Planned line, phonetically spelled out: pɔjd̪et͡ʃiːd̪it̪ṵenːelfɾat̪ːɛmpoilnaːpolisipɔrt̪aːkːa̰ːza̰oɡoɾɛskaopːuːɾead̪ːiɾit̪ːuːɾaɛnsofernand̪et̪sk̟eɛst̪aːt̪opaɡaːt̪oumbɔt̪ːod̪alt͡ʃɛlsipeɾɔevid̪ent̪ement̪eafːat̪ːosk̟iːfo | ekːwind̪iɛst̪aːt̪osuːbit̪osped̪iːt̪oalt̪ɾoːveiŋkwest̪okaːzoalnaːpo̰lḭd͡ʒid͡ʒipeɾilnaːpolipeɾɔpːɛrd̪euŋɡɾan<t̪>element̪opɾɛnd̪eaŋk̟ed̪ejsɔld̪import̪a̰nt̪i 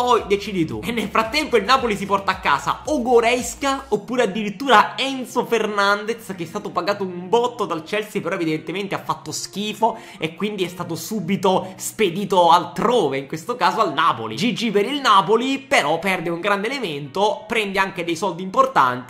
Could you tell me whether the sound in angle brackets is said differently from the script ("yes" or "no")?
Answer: yes